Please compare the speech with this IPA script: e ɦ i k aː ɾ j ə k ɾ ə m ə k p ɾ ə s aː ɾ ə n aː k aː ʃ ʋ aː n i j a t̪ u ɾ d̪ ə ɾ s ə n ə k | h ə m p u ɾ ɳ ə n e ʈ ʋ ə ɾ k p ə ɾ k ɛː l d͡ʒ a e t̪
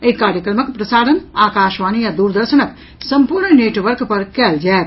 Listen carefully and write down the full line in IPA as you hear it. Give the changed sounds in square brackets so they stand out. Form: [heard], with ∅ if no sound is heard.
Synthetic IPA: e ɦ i k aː ɾ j ə k ɾ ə m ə k p ɾ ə s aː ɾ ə n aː k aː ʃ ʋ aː n i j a [d̪] u ɾ d̪ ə ɾ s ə n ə k | [s] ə m p u ɾ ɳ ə n e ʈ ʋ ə ɾ k p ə ɾ k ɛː l d͡ʒ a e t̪